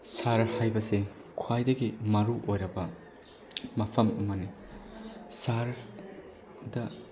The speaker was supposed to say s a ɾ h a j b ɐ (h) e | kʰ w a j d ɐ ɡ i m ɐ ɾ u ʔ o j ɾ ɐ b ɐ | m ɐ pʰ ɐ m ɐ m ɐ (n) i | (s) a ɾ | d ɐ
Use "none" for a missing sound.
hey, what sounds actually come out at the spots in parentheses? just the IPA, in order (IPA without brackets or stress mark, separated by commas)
s, n, s